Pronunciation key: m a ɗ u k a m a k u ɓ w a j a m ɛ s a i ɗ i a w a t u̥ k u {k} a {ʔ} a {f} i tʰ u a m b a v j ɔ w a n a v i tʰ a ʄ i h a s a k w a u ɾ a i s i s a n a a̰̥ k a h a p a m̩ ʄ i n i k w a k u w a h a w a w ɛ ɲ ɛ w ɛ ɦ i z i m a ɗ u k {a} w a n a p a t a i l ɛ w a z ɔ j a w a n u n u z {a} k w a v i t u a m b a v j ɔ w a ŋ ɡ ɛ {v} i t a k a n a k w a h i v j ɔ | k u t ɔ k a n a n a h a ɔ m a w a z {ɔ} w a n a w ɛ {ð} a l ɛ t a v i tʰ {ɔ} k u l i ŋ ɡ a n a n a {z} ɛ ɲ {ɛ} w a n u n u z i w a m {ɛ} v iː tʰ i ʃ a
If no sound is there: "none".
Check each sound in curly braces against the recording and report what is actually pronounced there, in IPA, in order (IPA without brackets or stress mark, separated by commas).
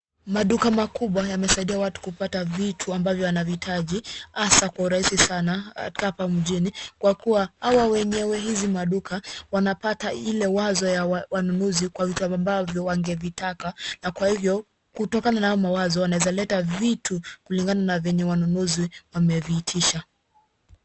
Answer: p, t, v, a, i, v, ɔ, z, u, v, ɛ, ɛ